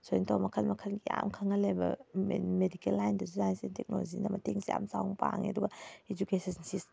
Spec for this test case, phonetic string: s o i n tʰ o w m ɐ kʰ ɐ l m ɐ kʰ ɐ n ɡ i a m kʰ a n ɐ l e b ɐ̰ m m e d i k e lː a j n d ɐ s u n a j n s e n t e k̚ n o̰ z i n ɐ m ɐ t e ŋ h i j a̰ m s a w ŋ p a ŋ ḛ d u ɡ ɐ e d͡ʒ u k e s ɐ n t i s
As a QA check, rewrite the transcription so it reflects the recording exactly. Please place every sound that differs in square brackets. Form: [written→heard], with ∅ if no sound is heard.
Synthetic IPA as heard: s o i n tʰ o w m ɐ kʰ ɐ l m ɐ kʰ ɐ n ɡ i a m kʰ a [n→ŋ] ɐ l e b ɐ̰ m m e d i k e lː a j n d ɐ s u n a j n s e n t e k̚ n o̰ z i n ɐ m ɐ t e ŋ [h→s] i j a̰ m s a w ŋ p a ŋ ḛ d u ɡ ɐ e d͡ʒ u k e s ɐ n [t→s] i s